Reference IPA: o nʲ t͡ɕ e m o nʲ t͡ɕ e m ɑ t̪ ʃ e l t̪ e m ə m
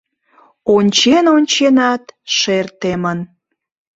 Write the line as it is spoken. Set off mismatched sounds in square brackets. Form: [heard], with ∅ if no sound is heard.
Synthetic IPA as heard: o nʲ t͡ɕ e [n] o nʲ t͡ɕ e [n] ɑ t̪ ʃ e [r] t̪ e m ə [n]